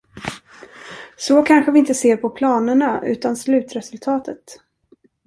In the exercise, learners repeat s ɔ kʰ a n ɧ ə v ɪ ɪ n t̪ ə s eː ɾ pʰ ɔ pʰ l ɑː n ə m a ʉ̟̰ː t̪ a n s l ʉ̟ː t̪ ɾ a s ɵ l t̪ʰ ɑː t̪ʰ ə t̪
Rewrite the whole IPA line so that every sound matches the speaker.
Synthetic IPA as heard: s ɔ kʰ a n ɧ ə v ɪ ɪ n t̪ ə s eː ɾ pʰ ɔ pʰ l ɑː n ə ɳ a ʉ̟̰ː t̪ a n s l ʉ̟ː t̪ ɾ ɛ s ɵ l t̪ʰ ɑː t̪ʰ ə t̪